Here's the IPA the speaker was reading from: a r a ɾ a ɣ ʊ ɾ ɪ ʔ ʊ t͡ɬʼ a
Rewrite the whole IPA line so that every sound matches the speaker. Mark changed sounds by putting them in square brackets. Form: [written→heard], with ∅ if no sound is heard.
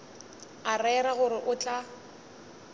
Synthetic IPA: a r [a→ɛ] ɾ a ɣ ʊ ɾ ɪ ʔ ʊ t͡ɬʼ a